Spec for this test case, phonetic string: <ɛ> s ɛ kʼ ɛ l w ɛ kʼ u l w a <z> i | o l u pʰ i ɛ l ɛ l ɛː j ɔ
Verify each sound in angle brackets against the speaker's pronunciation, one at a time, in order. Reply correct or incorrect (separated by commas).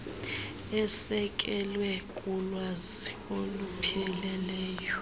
correct, correct